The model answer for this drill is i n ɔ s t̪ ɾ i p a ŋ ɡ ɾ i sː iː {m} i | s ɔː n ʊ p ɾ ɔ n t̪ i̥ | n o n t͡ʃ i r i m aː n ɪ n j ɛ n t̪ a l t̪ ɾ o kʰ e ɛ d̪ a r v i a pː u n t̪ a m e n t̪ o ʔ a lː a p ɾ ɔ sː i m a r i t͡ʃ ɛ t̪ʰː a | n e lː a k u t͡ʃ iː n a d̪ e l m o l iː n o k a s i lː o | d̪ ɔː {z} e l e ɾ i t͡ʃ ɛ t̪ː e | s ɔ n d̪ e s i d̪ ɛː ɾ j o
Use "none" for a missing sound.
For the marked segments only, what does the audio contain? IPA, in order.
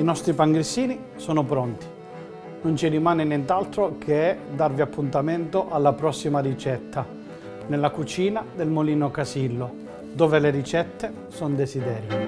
n, v

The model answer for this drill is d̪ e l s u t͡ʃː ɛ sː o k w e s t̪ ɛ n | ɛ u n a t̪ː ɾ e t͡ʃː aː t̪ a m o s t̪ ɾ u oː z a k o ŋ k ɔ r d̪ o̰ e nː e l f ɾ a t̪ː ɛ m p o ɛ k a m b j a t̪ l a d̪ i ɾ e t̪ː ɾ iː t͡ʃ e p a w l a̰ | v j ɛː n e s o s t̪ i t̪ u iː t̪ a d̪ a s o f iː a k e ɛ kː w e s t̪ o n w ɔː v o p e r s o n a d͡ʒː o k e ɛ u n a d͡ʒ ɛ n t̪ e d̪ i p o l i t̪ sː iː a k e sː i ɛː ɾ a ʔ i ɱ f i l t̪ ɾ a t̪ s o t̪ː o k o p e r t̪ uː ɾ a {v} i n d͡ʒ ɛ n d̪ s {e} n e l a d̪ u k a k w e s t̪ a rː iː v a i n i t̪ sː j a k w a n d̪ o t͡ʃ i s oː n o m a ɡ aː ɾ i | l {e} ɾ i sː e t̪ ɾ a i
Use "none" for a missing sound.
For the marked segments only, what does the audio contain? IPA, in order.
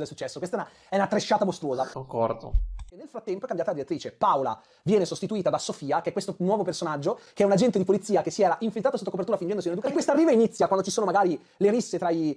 f, i, e

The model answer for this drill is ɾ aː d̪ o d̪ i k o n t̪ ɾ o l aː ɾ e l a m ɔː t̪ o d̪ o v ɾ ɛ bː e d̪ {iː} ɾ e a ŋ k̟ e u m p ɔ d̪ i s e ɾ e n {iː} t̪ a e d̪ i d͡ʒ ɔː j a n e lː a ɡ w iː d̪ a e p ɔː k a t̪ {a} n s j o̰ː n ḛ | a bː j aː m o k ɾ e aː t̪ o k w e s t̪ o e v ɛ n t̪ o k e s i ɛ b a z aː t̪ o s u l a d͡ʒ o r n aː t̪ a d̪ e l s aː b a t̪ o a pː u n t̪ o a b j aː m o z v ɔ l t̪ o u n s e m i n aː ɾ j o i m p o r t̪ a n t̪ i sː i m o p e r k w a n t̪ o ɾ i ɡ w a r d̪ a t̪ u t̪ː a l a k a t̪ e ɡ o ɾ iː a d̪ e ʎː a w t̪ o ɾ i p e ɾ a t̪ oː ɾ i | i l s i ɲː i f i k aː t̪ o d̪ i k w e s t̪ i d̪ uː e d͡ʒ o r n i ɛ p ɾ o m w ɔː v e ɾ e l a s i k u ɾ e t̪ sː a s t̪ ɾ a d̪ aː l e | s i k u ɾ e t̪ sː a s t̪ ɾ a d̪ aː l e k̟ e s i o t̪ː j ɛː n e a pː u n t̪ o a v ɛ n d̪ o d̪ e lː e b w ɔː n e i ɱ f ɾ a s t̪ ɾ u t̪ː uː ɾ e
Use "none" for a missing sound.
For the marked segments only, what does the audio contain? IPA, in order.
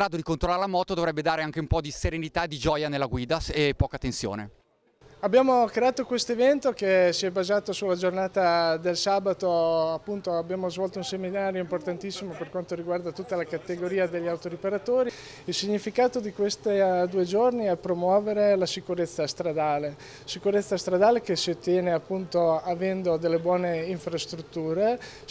aː, i, e

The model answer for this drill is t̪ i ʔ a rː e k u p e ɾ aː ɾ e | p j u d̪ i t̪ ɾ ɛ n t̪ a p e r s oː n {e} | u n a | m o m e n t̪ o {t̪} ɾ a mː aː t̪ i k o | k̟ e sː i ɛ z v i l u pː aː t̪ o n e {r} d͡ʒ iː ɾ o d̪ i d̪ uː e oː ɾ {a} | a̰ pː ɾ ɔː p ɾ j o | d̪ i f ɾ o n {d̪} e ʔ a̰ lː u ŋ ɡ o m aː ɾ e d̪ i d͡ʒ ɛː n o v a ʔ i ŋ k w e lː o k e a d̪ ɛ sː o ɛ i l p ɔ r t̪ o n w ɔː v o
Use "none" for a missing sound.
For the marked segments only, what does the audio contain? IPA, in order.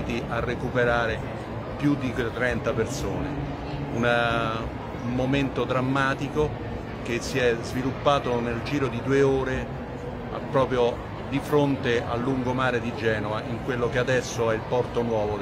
e, d̪, l, e, t̪

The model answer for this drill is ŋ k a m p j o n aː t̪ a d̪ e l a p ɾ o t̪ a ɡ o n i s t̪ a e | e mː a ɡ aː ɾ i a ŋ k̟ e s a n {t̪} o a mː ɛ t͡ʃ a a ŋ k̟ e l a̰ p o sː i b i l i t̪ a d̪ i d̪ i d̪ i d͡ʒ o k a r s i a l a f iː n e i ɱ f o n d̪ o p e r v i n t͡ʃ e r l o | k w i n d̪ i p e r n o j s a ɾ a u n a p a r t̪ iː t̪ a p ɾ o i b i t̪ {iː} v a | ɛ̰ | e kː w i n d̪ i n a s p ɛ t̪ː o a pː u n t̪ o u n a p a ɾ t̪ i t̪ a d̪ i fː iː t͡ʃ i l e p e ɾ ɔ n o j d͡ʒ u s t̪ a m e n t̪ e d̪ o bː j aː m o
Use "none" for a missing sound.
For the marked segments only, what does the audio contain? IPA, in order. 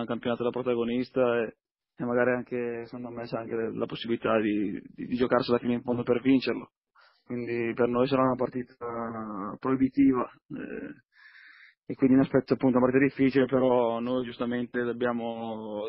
d̪, iː

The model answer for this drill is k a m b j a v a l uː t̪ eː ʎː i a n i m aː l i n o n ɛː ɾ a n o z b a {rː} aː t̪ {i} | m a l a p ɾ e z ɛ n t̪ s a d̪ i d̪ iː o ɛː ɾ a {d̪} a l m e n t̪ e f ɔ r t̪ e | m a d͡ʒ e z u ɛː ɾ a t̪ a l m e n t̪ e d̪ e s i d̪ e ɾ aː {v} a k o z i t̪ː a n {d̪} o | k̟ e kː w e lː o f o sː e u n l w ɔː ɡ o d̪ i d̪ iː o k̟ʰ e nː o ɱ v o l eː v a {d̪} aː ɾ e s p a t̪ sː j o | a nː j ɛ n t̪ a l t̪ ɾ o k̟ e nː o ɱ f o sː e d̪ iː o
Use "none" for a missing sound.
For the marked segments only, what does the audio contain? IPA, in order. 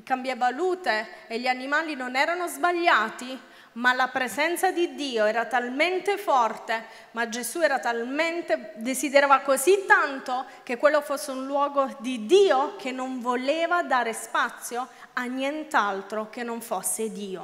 ʎː, i, t̪, v, t̪, d̪

